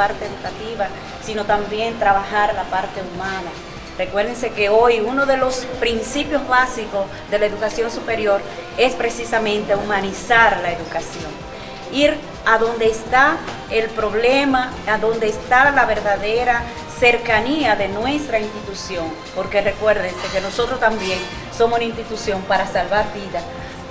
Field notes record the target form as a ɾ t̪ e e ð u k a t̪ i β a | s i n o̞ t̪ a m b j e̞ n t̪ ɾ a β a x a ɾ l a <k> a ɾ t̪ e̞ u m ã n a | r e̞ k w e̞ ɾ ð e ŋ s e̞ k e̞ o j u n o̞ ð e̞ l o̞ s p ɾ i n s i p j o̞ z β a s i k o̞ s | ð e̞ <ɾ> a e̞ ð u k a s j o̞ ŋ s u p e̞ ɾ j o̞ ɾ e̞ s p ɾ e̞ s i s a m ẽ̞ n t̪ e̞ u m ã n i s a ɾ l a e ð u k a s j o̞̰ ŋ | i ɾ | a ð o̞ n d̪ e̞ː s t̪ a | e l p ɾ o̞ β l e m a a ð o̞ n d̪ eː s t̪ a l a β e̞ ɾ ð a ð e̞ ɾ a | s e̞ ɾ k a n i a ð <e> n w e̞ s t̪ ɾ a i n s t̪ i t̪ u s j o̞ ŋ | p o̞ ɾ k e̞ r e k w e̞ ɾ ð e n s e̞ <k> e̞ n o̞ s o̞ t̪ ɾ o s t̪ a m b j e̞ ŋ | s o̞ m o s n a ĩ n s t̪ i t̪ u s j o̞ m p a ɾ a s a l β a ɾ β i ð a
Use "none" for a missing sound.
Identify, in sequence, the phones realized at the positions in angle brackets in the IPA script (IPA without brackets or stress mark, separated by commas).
p, l, e, k